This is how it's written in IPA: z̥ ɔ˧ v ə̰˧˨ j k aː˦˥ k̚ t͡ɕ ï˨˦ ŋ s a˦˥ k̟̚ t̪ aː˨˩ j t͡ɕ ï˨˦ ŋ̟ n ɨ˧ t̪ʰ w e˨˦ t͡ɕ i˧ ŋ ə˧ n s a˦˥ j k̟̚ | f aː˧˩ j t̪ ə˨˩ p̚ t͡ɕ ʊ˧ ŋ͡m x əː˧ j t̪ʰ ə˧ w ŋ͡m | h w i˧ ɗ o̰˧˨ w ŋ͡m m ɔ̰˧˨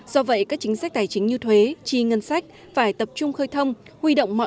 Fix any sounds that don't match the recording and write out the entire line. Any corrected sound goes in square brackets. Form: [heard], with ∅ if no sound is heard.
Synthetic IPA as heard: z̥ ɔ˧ v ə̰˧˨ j k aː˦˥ k̚ t͡ɕ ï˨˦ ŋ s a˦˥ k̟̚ t̪ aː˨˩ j t͡ɕ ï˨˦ ŋ̟ [ɲ] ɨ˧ t̪ʰ w e˨˦ t͡ɕ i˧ ŋ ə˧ n s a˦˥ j k̟̚ | f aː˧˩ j t̪ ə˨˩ p̚ t͡ɕ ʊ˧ ŋ͡m x əː˧ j t̪ʰ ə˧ w ŋ͡m | h w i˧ ɗ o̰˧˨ w ŋ͡m m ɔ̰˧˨